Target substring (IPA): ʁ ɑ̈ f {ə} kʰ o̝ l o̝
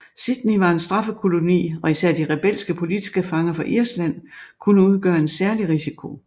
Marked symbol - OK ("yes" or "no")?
yes